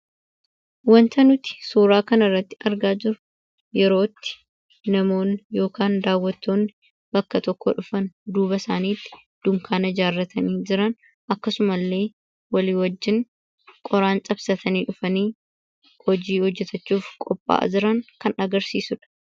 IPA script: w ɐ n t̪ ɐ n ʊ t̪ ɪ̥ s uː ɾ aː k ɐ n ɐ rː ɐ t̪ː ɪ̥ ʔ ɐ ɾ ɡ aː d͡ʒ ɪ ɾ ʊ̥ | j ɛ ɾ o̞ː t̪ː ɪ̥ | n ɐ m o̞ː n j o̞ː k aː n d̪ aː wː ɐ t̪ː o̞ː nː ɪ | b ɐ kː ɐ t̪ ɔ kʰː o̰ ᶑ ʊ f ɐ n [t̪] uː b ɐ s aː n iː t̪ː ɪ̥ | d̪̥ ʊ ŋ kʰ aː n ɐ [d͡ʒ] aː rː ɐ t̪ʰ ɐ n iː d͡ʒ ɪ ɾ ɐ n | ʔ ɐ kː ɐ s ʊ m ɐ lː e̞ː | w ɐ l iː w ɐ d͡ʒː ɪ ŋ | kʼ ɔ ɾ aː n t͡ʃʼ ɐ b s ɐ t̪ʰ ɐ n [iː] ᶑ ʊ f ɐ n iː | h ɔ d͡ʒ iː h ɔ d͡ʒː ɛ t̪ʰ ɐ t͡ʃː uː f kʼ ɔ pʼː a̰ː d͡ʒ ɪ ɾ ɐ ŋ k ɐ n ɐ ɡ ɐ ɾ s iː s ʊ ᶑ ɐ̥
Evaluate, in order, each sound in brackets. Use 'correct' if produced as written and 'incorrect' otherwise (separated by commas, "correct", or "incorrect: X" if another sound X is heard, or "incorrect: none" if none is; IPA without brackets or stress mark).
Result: incorrect: d̪, correct, correct